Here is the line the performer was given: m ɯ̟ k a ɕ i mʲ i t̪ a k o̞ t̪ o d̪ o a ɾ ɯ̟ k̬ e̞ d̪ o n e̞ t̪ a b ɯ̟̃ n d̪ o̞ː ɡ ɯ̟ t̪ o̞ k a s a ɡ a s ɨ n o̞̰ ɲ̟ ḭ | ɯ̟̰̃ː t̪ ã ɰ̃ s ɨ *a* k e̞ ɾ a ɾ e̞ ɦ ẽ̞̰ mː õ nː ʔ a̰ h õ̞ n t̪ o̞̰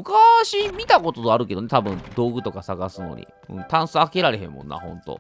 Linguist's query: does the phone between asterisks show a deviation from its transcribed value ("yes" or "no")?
no